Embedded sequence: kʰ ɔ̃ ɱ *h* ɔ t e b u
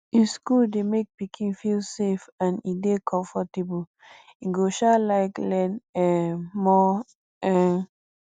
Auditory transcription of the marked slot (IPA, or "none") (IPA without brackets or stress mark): f